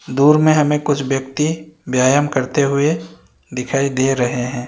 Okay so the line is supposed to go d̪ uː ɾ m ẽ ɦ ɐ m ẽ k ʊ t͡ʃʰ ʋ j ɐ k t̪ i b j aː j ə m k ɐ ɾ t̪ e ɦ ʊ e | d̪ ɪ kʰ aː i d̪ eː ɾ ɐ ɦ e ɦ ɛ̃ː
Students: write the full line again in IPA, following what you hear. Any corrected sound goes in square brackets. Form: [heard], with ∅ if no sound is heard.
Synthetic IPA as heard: d̪ uː ɾ m ẽ ɦ ɐ m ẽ k ʊ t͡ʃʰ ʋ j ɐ k t̪ i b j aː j ə m k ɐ ɾ t̪ e ɦ ʊ e | d̪ ɪ kʰ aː i d̪ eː ɾ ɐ ɦ e ɦ ɛ̃ː